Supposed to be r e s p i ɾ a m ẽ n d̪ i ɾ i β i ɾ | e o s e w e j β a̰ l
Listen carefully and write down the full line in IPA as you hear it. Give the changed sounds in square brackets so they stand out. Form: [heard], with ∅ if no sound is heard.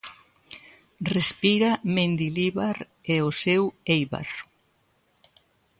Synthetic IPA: r e s p i ɾ a m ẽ n d̪ i [l] i β [a] ɾ | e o s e w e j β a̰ [ɾ]